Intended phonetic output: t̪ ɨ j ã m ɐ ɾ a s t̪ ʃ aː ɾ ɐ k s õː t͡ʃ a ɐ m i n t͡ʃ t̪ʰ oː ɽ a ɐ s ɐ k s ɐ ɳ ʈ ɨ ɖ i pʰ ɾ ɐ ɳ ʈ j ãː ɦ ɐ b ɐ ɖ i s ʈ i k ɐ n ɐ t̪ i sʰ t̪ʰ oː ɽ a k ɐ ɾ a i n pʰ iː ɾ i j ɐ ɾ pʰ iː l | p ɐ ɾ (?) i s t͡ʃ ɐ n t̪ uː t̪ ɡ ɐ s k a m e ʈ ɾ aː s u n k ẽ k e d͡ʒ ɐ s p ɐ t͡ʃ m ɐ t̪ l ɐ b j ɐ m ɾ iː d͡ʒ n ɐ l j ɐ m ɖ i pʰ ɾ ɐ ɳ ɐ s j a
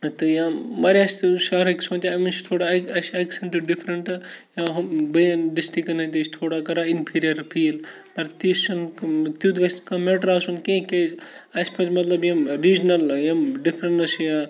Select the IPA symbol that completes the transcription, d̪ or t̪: t̪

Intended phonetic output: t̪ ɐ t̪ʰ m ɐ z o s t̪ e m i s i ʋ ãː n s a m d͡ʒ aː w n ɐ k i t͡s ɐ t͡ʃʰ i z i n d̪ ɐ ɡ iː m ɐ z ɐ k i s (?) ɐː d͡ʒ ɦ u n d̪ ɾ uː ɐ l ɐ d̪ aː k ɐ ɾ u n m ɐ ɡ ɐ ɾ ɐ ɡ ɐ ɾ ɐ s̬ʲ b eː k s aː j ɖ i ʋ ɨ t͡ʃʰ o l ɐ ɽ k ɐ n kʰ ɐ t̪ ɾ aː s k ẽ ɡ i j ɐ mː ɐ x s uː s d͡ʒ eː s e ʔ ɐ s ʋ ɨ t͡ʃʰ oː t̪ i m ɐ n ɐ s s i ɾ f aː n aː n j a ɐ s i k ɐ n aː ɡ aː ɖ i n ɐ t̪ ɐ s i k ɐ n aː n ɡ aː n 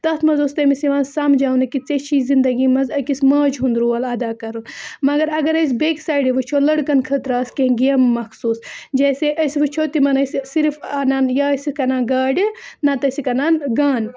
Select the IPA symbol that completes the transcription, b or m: m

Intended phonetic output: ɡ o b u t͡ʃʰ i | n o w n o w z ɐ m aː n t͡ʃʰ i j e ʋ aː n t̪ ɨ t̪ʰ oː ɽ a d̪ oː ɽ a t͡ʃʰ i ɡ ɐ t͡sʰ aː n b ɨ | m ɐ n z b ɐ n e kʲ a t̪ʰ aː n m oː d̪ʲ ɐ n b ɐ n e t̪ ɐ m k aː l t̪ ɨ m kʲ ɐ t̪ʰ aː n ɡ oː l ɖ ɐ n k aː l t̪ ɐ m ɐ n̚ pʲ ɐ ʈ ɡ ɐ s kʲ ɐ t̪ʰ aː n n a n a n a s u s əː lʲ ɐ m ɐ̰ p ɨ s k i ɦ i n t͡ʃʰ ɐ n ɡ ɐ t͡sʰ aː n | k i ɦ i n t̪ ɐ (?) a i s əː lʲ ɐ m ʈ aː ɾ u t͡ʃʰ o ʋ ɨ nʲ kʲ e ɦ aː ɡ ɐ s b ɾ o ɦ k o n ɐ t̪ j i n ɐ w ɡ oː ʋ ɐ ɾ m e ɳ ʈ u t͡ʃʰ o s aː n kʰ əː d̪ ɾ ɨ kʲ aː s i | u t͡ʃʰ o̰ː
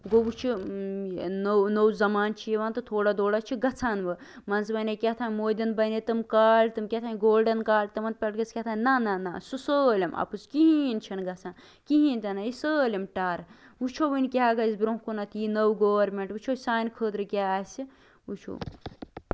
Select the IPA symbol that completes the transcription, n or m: n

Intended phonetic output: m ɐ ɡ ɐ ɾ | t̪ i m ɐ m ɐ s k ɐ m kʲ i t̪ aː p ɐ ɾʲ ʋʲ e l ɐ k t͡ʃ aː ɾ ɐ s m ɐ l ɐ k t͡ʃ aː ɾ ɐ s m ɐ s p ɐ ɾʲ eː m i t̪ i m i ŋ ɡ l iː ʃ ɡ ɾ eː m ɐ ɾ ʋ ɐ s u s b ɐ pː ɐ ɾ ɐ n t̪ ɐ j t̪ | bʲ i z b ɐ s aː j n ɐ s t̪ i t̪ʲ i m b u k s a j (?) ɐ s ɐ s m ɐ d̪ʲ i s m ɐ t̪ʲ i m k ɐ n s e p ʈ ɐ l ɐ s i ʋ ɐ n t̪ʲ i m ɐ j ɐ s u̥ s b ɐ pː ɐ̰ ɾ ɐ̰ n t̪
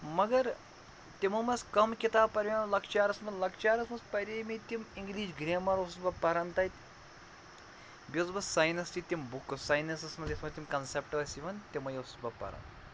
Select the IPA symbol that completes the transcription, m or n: n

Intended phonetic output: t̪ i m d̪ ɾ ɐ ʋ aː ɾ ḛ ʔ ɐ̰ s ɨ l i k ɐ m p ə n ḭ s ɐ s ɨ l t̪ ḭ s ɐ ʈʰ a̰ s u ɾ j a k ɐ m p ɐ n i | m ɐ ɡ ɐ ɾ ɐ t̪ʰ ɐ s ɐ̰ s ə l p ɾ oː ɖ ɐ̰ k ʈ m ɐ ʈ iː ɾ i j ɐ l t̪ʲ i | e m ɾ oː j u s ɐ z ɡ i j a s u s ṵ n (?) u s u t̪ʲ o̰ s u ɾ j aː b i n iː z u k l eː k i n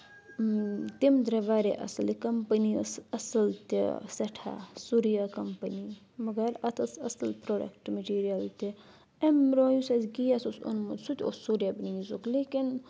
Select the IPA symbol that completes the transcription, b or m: m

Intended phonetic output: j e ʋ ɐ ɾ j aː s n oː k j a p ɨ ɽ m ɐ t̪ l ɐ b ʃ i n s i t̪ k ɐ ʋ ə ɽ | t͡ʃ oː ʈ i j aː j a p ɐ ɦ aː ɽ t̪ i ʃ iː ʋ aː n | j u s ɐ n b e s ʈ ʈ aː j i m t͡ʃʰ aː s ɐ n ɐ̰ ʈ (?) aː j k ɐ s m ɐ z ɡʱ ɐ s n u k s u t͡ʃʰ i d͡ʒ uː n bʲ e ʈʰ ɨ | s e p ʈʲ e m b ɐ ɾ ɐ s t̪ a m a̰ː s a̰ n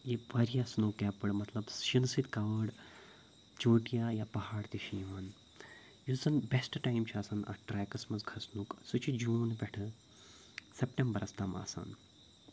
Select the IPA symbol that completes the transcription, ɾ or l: ɾ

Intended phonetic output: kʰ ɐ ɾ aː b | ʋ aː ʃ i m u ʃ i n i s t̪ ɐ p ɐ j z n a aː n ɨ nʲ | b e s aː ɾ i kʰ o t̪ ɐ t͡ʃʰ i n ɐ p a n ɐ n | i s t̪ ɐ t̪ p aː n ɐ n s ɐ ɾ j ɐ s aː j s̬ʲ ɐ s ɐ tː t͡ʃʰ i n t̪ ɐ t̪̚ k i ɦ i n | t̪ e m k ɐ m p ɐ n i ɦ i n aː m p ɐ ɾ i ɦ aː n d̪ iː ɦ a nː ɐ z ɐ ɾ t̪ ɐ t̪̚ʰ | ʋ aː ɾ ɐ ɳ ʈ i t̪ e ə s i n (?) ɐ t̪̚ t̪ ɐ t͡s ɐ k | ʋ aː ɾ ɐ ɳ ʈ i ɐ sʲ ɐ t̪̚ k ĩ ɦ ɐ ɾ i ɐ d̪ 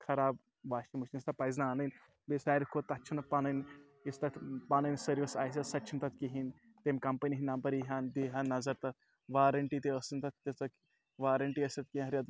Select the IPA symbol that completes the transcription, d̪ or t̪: t̪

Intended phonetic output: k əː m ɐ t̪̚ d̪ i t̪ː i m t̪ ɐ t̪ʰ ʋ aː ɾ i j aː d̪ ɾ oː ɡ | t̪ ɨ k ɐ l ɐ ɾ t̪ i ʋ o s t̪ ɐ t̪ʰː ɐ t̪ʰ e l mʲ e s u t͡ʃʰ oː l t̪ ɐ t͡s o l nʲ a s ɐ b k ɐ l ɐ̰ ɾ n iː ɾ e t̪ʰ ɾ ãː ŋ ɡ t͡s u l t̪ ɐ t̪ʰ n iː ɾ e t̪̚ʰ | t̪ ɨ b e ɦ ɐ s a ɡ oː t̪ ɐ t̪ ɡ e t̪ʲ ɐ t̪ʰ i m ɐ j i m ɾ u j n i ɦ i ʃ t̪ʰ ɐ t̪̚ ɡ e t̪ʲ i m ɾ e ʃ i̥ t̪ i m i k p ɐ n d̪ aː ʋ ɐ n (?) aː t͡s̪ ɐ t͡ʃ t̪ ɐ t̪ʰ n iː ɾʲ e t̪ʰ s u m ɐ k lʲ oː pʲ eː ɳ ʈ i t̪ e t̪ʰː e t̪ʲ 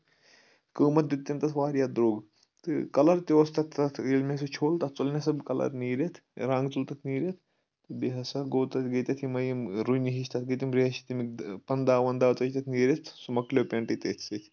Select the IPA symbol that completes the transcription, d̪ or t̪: d̪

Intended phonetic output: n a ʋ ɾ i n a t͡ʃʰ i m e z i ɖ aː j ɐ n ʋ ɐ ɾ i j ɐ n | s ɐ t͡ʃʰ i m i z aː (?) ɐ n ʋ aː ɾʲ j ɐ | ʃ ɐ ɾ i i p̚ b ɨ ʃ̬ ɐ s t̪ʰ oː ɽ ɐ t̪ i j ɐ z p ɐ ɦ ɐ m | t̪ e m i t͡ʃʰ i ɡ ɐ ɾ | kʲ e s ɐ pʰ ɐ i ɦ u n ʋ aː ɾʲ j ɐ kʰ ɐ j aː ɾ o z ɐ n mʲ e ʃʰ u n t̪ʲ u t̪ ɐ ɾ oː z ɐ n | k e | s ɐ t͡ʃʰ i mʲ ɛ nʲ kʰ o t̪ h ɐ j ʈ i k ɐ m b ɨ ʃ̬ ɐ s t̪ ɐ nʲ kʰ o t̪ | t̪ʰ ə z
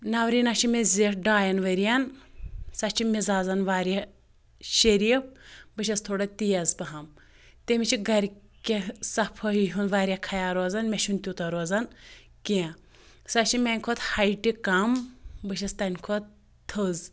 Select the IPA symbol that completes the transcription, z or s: z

